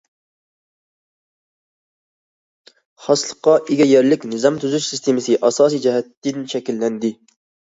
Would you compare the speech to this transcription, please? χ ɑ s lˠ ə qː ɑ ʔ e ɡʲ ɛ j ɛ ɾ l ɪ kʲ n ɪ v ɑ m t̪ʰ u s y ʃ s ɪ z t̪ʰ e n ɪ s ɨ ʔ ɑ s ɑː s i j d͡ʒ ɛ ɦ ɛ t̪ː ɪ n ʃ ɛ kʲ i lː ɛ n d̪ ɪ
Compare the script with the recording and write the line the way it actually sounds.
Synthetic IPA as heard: χ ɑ s lˠ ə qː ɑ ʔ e ɡʲ ɛ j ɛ ɾ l ɪ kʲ n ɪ z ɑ m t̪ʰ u z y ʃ s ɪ s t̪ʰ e m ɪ s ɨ ʔ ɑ s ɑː s i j d͡ʒ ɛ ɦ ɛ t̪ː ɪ n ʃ ɛ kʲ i lː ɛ n d̪ ɪ